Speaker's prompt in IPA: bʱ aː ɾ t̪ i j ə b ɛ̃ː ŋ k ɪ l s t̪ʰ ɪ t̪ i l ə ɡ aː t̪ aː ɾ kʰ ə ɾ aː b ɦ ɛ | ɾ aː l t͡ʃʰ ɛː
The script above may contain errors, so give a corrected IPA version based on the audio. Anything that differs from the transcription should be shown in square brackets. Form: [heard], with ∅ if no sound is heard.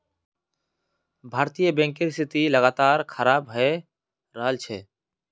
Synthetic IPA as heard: bʱ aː ɾ t̪ i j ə b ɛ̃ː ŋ k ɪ [ɾ] s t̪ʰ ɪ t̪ i l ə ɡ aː t̪ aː ɾ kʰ ə ɾ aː b ɦ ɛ | ɾ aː l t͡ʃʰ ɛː